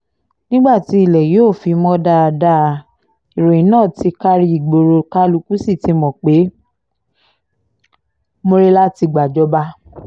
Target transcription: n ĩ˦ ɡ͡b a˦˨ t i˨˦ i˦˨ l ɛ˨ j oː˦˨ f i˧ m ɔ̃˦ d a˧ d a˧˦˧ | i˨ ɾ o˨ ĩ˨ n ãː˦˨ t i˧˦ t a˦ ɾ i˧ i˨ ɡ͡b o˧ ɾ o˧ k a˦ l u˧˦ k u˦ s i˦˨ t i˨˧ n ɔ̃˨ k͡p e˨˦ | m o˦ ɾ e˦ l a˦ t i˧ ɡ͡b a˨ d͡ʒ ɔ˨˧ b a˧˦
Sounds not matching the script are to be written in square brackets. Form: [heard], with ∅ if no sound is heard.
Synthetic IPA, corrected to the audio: n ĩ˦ ɡ͡b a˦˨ t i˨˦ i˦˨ l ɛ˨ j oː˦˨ f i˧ m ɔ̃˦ d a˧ d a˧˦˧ | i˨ ɾ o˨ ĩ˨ n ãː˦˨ t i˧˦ [k] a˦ ɾ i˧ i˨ ɡ͡b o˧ ɾ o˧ k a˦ l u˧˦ k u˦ s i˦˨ t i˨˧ [m] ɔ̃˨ k͡p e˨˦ | m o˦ ɾ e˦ l a˦ t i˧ ɡ͡b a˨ d͡ʒ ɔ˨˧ b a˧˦